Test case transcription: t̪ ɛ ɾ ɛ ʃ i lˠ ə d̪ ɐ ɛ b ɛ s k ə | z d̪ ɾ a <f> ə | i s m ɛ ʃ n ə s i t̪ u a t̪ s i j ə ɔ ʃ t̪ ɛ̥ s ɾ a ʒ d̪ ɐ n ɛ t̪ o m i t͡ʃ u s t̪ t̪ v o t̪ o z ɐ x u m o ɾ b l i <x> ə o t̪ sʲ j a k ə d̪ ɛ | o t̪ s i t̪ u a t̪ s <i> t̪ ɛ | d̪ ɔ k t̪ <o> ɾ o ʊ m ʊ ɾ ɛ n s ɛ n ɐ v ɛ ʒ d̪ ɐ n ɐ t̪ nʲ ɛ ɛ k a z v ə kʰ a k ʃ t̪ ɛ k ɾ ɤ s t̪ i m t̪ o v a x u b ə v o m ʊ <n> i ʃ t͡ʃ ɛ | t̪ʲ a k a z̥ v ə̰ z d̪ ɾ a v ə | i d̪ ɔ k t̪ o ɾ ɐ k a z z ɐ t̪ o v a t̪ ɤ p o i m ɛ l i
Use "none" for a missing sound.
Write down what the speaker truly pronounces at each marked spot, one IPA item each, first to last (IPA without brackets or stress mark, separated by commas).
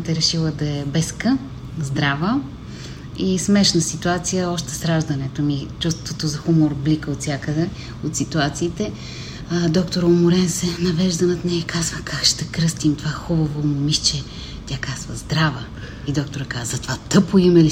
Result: v, k, iː, o, m